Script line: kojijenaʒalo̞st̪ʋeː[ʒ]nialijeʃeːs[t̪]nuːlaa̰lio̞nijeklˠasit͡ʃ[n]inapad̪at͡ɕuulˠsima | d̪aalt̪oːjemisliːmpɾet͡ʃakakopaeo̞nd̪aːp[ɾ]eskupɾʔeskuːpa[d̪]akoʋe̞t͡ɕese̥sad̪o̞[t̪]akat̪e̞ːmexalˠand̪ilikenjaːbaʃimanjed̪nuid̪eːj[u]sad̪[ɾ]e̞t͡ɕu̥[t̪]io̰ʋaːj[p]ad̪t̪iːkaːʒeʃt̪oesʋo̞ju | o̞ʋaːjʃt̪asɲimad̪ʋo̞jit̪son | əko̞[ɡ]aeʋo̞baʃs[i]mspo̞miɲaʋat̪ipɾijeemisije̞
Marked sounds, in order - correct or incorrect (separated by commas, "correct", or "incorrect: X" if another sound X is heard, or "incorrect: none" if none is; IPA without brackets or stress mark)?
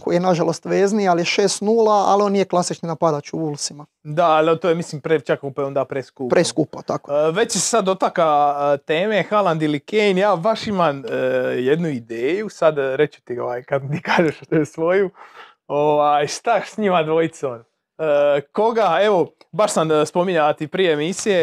incorrect: z, correct, correct, correct, incorrect: t̪, correct, correct, correct, correct, incorrect: k, correct, incorrect: a